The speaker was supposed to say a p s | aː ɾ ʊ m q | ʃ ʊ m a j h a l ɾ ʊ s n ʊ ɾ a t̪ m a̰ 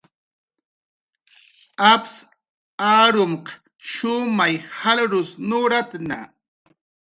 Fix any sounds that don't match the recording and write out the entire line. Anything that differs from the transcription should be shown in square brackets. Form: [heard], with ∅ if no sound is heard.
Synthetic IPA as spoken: a p s | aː ɾ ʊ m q | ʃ ʊ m a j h a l ɾ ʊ s n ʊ ɾ a t̪ [n] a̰